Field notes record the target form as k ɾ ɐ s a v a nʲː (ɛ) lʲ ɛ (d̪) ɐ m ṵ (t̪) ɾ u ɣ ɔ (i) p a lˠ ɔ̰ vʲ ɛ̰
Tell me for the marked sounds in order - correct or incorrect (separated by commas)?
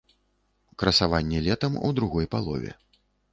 correct, incorrect, incorrect, incorrect